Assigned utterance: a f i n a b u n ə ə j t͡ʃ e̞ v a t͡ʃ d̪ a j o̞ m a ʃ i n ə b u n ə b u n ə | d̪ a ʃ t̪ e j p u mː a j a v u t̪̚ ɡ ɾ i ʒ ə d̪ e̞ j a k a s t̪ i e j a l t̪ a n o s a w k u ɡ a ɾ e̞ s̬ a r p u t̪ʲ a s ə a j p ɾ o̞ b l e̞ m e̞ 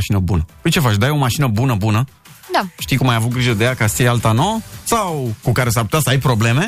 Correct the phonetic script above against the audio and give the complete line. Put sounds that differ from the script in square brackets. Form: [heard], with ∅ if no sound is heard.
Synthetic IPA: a [ʃ] i n [ə] b u n ə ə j t͡ʃ e̞ [f] a t͡ʃ d̪ a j o̞ m a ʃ i n ə b u n ə b u n ə | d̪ a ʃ t̪ [i] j [k] u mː a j a v u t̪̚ ɡ ɾ i ʒ ə d̪ e̞ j a k a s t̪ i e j a l t̪ a n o s a w k u [k] a ɾ e̞ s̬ a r p u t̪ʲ a s ə a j p ɾ o̞ b l e̞ m e̞